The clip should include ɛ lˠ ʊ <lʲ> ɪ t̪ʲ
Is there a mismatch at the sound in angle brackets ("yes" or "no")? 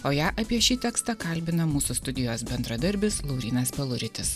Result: yes